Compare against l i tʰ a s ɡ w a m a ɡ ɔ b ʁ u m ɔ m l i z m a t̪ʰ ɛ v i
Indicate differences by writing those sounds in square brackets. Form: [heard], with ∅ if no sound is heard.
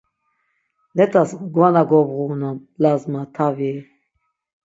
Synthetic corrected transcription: l [ɛ] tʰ a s ɡ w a [n] a ɡ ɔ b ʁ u [n] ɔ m l [a] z m a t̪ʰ [a] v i

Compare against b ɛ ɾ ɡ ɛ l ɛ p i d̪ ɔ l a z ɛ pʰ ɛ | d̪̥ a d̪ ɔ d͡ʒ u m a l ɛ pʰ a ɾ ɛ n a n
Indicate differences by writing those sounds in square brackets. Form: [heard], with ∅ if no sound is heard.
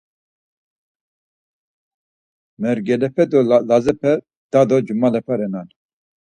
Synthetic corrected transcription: [m] ɛ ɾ ɡ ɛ l ɛ p [ɛ] d̪ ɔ l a z ɛ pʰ ɛ | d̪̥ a d̪ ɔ d͡ʒ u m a l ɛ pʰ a ɾ ɛ n a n

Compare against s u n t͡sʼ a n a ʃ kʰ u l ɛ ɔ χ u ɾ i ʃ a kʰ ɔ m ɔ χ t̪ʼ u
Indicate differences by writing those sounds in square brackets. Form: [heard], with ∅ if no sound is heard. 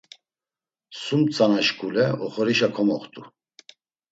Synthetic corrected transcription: s u [m] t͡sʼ a n a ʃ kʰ u l ɛ ɔ χ [ɔ] ɾ i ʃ a kʰ ɔ m ɔ χ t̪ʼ u

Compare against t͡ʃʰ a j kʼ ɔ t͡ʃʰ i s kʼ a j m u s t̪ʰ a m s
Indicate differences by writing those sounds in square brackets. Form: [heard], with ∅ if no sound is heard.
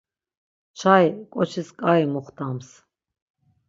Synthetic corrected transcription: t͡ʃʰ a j kʼ ɔ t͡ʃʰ i s kʼ a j m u [χ] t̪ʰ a m s

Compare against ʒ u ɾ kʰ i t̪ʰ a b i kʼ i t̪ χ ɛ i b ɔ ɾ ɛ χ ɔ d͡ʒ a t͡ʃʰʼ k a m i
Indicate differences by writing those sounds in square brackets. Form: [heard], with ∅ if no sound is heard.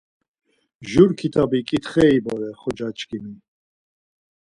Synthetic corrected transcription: ʒ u ɾ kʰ i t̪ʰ a b i kʼ i t̪ χ ɛ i b ɔ ɾ ɛ χ ɔ d͡ʒ a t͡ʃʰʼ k [i] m i

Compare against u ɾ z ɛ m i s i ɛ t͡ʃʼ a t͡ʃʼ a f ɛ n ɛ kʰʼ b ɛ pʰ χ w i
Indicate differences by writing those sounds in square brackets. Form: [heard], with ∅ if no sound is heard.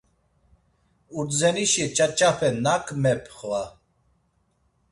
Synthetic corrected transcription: u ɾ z ɛ [n] i [ʃ] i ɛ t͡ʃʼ a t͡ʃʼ a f ɛ n [a] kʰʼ [m] ɛ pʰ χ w [a]

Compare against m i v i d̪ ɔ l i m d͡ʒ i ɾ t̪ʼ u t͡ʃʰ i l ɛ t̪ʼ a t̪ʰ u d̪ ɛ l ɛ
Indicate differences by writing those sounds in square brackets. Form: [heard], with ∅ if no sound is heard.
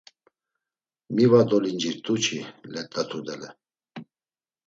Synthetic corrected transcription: m i v [a] d̪ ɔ l i [n] d͡ʒ i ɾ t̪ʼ u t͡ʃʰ i l ɛ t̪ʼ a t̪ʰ u d̪ ɛ l ɛ

